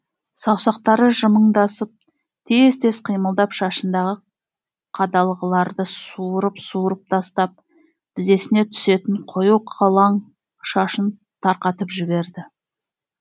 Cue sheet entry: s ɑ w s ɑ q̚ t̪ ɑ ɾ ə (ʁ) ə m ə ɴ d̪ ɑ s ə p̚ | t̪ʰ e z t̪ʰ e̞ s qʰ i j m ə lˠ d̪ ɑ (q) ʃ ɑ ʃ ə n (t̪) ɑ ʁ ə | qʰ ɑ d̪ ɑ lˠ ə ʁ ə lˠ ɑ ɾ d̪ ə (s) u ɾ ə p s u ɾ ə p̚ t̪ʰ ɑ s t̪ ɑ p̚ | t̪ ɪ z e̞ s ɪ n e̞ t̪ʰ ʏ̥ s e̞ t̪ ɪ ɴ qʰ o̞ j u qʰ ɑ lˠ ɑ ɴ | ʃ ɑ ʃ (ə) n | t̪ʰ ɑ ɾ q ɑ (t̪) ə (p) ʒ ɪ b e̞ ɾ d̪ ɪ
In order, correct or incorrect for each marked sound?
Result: incorrect: ʒ, incorrect: p, incorrect: d̪, correct, correct, correct, correct

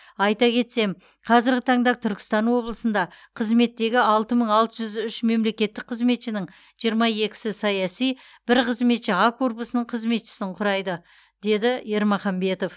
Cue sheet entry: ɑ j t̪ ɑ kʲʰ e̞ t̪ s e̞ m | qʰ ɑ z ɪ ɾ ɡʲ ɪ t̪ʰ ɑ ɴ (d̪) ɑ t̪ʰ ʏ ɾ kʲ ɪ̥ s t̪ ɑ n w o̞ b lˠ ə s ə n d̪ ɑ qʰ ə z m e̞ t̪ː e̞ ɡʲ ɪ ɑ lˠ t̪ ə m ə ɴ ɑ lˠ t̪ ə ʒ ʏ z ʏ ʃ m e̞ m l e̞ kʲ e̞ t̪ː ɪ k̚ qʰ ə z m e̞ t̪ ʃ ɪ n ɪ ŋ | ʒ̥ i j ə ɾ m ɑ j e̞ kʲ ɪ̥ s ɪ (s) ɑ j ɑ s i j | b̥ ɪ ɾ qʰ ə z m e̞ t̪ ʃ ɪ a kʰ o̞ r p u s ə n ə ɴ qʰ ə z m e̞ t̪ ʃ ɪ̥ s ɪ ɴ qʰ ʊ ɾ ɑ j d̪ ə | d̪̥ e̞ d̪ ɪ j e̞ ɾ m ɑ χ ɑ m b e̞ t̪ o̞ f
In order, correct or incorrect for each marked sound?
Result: correct, correct

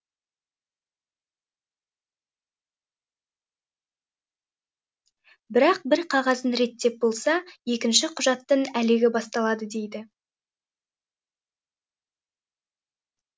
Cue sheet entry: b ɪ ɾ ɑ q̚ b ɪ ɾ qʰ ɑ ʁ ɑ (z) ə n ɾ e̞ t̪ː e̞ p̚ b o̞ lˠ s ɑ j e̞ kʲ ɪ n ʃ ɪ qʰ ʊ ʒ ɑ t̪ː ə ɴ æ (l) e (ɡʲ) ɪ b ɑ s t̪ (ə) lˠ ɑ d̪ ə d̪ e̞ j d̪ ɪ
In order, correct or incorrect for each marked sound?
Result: correct, correct, correct, incorrect: ɑ

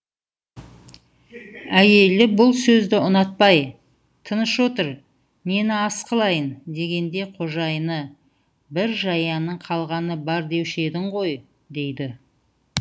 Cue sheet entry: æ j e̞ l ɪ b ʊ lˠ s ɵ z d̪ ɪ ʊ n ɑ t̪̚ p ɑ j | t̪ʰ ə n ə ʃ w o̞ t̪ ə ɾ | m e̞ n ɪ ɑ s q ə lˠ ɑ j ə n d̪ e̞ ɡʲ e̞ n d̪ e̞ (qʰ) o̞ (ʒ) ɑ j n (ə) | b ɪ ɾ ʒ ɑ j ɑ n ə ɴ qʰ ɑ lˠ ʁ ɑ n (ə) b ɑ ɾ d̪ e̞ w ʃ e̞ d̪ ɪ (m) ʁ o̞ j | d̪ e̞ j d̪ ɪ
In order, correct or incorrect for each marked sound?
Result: correct, correct, correct, correct, incorrect: ɴ

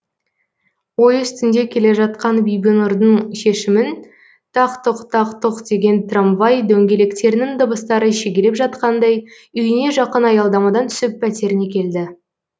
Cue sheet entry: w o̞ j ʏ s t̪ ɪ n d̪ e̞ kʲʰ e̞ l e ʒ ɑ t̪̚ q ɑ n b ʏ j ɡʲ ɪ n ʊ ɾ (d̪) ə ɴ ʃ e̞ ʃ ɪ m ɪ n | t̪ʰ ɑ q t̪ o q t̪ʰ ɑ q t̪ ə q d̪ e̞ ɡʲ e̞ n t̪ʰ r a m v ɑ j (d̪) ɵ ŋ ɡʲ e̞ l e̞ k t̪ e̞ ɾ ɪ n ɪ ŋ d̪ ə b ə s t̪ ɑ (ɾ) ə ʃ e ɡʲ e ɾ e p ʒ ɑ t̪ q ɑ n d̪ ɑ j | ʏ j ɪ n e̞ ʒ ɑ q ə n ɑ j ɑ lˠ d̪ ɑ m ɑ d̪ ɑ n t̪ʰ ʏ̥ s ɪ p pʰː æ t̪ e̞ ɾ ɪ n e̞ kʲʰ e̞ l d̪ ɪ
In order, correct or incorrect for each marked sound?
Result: correct, correct, correct

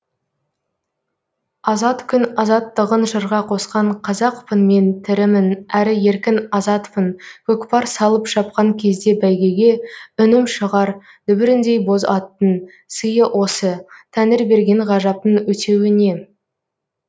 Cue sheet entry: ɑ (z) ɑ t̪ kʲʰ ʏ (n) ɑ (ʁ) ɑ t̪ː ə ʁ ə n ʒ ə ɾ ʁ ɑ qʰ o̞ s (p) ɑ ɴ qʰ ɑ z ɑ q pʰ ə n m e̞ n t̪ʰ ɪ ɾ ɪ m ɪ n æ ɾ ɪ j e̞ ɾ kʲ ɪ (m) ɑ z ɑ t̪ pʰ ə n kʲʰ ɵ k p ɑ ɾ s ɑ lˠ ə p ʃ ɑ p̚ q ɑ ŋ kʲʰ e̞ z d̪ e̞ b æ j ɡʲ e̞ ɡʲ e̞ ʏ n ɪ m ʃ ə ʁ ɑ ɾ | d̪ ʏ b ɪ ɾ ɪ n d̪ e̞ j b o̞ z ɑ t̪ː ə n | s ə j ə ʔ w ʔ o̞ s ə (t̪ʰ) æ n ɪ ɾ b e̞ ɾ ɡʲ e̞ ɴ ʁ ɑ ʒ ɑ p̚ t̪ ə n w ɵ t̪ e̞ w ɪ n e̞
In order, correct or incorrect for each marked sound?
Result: correct, correct, incorrect: z, incorrect: q, incorrect: n, correct

